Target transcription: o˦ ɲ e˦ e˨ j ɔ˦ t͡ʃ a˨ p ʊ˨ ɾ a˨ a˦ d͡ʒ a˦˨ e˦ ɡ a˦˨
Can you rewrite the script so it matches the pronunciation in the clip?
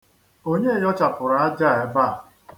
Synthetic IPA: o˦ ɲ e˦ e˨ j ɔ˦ t͡ʃ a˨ p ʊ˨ ɾ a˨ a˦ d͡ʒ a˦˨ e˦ b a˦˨